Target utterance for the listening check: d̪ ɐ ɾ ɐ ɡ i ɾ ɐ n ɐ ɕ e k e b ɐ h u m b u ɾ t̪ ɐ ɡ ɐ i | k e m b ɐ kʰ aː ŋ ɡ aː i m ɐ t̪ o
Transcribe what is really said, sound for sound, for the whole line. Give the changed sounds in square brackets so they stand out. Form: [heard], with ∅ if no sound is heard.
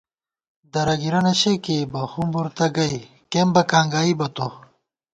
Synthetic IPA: d̪ ɐ ɾ ɐ ɡ i ɾ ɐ n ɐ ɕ e k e b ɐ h u m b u ɾ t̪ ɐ ɡ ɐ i | k e m b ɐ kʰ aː ŋ ɡ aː i [b] ɐ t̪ o